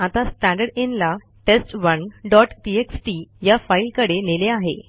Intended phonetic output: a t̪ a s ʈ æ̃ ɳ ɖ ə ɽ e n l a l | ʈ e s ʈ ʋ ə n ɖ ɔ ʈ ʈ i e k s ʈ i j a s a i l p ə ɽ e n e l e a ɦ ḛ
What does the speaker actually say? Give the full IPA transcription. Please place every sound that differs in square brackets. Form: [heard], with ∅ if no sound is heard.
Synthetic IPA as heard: a t̪ a s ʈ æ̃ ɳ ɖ ə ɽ e n l a [∅] | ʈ e s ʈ ʋ ə n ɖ ɔ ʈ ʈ i e k s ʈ i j a [f] a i l [k] ə ɽ e n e l e a ɦ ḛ